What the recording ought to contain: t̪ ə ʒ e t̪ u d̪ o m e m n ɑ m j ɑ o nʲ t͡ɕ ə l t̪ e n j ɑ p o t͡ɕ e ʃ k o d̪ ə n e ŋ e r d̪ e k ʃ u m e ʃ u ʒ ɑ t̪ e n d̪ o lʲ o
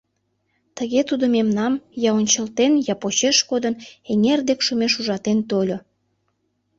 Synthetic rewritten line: t̪ ə ɣ e t̪ u d̪ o m e m n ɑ m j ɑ o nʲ t͡ɕ ə l t̪ e n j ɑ p o t͡ɕ e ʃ k o d̪ ə n e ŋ e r d̪ e k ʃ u m e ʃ u ʒ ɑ t̪ e n t̪ o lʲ o

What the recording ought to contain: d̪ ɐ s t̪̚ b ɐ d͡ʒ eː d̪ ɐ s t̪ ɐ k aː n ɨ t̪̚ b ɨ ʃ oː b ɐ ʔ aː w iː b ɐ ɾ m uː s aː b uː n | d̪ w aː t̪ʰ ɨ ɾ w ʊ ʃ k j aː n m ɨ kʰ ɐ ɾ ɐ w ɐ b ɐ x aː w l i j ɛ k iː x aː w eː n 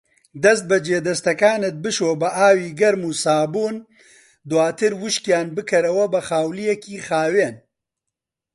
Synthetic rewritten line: d̪ ɐ s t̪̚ b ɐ d͡ʒ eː d̪ ɐ s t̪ ɐ k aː n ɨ t̪̚ b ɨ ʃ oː b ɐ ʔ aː w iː ɡ ɐ ɾ m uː s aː b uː n | d̪ w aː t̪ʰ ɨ ɾ w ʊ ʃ k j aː n b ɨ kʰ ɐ ɾ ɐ w ɐ b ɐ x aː w l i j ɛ k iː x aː w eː n

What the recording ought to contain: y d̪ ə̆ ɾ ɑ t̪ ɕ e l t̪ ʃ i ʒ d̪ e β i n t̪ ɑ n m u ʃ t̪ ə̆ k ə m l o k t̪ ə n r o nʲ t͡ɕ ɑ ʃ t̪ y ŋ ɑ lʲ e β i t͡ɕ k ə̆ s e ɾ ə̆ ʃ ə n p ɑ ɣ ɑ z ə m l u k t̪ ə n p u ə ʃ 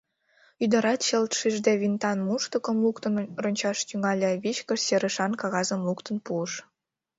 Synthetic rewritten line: y d̪ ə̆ ɾ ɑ t̪ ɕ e l t̪ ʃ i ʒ d̪ e β i n t̪ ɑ n m u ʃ t̪ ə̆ k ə m l u k t̪ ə n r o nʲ t͡ɕ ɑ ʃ t̪ y ŋ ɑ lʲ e β i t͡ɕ k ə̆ s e ɾ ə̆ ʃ ɑ n k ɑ ɣ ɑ z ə m l u k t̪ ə n p u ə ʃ

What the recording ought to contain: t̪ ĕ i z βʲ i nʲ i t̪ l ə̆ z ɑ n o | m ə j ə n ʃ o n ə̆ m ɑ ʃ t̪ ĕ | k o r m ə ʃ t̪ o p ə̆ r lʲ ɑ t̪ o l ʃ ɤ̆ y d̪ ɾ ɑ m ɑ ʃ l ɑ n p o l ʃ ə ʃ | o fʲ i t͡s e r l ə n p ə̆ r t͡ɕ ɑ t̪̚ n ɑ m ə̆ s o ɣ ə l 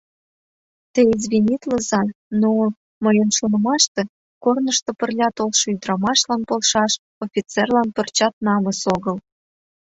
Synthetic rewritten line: t̪ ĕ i z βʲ i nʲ i t̪ l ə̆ z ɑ n o | m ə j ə n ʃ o n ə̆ m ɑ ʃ t̪ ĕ | k o r n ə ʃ t̪ o p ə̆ r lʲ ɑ t̪ o l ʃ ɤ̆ y d̪ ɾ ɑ m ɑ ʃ l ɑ n p o l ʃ ɑ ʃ | o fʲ i t͡s e r l ɑ n p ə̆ r t͡ɕ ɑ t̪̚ n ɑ m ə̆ s o ɣ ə l

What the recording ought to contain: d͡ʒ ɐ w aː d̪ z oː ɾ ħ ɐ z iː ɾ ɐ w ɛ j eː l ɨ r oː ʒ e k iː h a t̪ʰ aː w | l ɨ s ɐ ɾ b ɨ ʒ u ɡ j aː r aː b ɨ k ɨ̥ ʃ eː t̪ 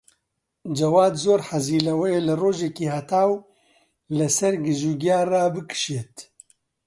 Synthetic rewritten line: d͡ʒ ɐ w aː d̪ z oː ɾ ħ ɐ z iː l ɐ w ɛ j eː l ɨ r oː ʒ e k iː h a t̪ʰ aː w | l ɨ s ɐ ɾ ɡ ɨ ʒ u ɡ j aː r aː b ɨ k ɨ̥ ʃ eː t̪

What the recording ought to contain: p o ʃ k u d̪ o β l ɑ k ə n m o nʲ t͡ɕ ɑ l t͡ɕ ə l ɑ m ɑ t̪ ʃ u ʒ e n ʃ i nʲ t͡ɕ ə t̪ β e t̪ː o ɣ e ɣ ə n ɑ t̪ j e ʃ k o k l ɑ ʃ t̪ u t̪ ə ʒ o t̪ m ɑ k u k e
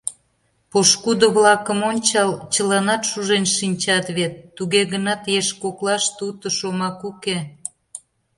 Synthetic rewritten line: p o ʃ k u d̪ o β l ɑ k ə m o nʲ t͡ɕ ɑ l t͡ɕ ə l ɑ n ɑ t̪ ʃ u ʒ e n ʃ i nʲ t͡ɕ ɑ t̪ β e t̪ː u ɣ e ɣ ə n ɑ t̪ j e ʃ k o k l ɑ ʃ t̪ u t̪ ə ʃ o m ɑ k u k e

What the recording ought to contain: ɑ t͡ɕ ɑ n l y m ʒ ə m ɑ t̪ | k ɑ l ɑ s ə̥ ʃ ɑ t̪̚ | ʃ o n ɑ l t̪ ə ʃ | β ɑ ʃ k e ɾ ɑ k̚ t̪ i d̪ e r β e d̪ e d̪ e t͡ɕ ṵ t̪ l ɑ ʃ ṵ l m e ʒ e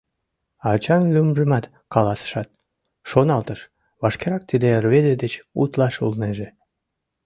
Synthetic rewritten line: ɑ t͡ɕ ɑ n l y m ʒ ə m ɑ t̪ | k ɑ l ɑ s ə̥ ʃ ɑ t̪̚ | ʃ o n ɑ l t̪ ə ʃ | β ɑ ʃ k e ɾ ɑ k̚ t̪ i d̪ e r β e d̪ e d̪ e t͡ɕ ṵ t̪ l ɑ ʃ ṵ l n e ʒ e

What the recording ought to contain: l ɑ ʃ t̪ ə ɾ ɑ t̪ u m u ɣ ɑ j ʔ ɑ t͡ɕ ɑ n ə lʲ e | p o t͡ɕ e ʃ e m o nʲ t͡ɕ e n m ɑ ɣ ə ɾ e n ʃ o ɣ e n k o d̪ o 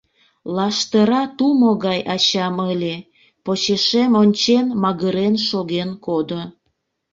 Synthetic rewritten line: l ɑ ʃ t̪ ə ɾ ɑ t̪ u m o ɣ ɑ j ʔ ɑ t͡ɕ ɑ m ə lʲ e | p o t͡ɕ e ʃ e m o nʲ t͡ɕ e n m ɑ ɣ ə ɾ e n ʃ o ɣ e n k o d̪ o

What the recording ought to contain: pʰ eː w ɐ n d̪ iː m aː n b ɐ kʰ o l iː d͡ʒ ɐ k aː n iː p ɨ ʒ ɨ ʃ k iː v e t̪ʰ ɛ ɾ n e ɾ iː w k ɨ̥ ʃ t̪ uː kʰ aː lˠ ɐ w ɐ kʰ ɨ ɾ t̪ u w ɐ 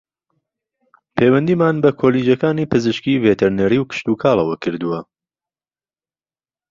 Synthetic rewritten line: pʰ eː w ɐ n d̪ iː m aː n b ɐ kʰ o l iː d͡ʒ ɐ k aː n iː p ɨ z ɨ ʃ k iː v e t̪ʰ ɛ ɾ n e ɾ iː w k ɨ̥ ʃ t̪ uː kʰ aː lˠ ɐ w ɐ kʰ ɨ ɾ d̪ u w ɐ

